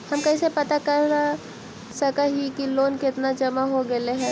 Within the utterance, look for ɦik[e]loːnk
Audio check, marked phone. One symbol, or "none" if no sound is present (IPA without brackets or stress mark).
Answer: i